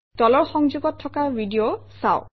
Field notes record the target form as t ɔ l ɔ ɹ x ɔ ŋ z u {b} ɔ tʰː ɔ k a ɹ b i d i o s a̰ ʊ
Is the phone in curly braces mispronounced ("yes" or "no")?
yes